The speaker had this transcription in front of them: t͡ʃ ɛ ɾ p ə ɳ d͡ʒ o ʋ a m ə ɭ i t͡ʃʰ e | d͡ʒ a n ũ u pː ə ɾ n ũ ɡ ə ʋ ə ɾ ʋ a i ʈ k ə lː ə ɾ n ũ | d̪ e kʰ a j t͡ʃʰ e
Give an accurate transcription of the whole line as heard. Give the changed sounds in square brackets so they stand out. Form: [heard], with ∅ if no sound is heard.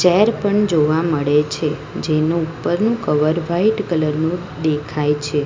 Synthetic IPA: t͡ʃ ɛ ɾ p ə ɳ d͡ʒ o ʋ a m ə ɭ [e] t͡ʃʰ e | d͡ʒ [e] n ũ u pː ə ɾ n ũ [k] ə ʋ ə ɾ ʋ a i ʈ k ə [l] ə ɾ n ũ | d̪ e kʰ a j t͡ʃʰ e